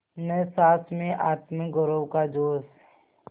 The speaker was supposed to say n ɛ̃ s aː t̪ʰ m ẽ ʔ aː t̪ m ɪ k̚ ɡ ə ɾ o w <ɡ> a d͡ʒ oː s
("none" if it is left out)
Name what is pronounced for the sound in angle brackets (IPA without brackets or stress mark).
k